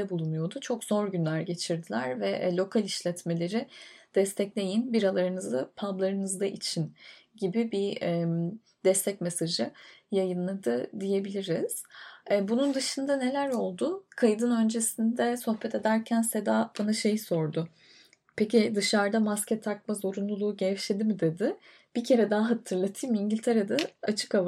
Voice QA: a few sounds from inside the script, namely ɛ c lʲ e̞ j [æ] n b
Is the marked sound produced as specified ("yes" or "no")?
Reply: no